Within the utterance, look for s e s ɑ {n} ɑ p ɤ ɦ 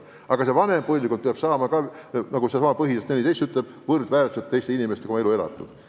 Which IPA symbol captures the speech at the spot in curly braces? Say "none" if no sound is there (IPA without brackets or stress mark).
m